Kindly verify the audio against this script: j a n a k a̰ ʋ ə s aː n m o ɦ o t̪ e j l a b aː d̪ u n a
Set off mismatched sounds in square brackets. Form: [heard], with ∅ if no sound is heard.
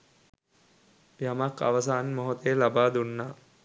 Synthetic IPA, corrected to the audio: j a [m] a k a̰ ʋ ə s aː n m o ɦ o t̪ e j l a b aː d̪ u [nː] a